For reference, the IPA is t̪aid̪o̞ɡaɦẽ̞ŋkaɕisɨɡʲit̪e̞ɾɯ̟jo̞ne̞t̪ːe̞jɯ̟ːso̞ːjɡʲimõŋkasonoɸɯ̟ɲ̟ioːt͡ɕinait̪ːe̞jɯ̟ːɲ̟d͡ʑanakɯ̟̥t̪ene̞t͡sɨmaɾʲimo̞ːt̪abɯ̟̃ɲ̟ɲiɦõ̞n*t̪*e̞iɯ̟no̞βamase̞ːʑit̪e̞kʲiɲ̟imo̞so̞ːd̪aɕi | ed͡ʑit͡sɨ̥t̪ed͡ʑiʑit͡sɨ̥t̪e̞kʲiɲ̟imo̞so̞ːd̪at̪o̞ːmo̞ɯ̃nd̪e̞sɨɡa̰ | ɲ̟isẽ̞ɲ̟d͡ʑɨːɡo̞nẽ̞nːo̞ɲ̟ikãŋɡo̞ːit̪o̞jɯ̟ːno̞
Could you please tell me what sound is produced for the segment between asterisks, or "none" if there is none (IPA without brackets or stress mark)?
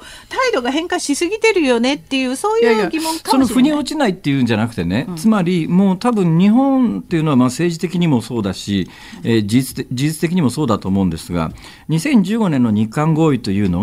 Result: t̪